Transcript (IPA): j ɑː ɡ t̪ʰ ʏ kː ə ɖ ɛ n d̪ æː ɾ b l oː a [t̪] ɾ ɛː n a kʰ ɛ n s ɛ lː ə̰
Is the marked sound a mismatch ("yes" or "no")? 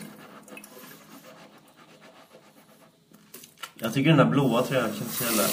yes